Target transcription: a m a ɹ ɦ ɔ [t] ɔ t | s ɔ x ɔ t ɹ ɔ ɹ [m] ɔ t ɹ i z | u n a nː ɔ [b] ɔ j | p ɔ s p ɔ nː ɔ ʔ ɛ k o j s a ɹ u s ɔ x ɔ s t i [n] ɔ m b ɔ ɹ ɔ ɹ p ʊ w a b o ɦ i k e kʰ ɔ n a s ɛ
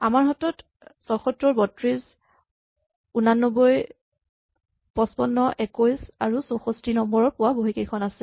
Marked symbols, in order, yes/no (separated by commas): yes, no, yes, yes